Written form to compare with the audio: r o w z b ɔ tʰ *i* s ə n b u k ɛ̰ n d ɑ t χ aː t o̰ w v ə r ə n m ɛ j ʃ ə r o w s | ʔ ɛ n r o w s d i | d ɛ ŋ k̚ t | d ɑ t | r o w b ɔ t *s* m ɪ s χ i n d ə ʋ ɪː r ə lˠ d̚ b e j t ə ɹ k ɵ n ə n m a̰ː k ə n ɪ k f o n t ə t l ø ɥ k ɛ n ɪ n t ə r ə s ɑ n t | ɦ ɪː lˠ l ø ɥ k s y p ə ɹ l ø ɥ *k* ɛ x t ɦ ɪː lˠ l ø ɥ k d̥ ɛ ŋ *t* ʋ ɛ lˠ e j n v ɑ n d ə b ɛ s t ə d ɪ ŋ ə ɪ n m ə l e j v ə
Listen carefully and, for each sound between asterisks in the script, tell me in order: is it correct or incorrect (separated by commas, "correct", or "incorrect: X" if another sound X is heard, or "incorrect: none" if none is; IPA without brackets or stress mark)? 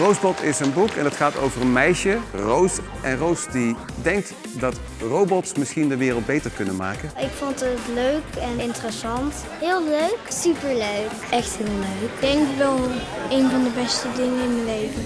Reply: incorrect: ɪ, correct, correct, incorrect: k